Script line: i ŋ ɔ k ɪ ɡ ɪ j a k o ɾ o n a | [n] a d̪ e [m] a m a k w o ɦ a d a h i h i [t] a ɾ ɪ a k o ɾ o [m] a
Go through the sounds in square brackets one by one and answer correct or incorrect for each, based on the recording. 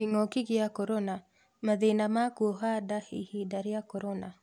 incorrect, incorrect, incorrect, incorrect

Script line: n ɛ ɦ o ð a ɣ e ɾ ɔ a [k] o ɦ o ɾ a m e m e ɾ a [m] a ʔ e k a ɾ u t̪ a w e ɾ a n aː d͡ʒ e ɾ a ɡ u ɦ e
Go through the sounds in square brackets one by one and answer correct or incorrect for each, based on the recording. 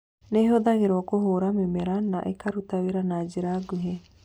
correct, incorrect

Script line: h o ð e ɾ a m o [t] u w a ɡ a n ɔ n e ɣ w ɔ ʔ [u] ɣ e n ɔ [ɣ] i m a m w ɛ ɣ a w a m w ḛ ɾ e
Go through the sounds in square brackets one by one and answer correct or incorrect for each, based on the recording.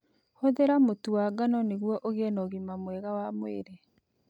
correct, incorrect, correct

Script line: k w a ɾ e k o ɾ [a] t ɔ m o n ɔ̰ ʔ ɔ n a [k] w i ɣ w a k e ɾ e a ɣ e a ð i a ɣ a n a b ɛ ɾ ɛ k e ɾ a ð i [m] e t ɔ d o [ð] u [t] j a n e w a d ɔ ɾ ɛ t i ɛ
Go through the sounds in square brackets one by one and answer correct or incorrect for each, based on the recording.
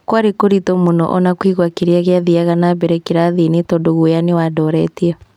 incorrect, correct, incorrect, incorrect, incorrect

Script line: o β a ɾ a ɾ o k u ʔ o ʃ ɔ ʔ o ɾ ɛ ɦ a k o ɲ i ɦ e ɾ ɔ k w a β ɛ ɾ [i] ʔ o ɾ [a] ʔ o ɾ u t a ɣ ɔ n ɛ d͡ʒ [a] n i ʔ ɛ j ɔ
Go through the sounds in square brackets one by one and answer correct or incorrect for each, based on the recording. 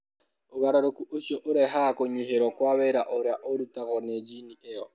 incorrect, correct, incorrect

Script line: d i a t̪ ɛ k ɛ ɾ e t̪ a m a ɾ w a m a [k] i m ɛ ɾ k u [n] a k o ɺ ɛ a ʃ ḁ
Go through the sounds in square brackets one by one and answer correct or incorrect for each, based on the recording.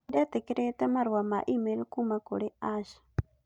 incorrect, incorrect

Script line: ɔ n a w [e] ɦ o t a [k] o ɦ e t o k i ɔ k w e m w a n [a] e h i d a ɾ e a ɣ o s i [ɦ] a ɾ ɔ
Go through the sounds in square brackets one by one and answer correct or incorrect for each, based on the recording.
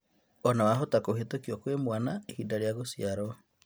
incorrect, correct, correct, incorrect

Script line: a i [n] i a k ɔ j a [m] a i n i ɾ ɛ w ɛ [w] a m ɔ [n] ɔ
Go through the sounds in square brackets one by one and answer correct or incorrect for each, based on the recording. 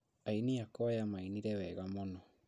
correct, correct, incorrect, correct

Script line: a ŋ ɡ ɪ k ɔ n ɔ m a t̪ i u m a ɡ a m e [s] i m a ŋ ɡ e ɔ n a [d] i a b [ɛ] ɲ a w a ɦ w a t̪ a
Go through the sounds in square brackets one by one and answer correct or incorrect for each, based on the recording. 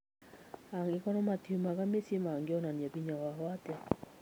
correct, incorrect, incorrect

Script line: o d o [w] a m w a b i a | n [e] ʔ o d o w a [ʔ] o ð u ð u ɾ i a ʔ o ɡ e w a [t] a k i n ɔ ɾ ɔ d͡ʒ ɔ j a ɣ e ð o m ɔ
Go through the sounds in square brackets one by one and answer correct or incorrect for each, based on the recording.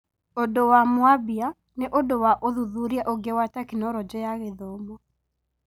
correct, correct, correct, correct

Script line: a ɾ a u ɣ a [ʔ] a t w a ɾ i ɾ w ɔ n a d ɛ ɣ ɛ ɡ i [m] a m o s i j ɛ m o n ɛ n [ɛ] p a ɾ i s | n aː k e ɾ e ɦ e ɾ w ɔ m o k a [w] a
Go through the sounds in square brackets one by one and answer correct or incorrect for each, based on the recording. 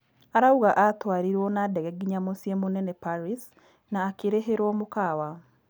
correct, incorrect, correct, correct

